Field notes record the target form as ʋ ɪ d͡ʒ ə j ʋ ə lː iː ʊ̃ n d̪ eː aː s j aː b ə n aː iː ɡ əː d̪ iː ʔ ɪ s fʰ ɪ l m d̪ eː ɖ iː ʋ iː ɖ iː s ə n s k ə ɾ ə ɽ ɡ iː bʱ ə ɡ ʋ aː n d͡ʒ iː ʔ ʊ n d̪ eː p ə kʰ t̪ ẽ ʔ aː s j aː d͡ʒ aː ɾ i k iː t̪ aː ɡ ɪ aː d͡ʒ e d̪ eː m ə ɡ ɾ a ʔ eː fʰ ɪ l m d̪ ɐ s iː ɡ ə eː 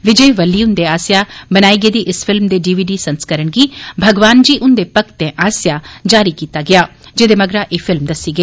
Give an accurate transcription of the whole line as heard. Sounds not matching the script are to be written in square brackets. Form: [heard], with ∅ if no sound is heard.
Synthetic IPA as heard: ʋ ɪ d͡ʒ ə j ʋ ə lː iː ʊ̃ n d̪ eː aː s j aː b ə n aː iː ɡ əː d̪ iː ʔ ɪ s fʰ ɪ l m d̪ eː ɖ iː ʋ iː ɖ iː s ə n s k ə ɾ ə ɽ ɡ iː bʱ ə ɡ ʋ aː n d͡ʒ iː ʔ ʊ n d̪ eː p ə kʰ t̪ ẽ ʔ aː s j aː d͡ʒ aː ɾ i k iː t̪ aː ɡ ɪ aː d͡ʒ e d̪ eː m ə ɡ ɾ a ʔ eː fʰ ɪ l m d̪ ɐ s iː ɡ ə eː